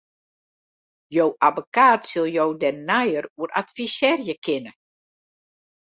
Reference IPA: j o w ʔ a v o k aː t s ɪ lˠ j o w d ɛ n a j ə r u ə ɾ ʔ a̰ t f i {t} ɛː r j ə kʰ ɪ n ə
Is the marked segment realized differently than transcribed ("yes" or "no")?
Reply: yes